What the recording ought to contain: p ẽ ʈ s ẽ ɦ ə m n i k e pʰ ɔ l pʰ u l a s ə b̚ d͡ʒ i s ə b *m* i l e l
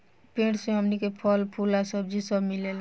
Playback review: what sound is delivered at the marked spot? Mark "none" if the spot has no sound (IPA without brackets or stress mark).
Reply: m